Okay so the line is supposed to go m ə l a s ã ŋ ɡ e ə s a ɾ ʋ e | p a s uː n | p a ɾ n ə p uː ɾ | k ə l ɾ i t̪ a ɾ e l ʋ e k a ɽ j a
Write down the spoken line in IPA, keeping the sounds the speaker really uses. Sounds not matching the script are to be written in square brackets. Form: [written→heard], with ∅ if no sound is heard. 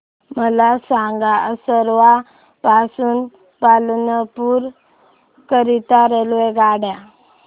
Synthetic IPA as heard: m ə l a s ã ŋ ɡ [e→a] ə s [a→ə] ɾ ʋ [e→a] | p a s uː n | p a [ɾ→l] n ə p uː ɾ | k ə [l→∅] ɾ i t̪ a ɾ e l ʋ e [k→ɡ] a ɽ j a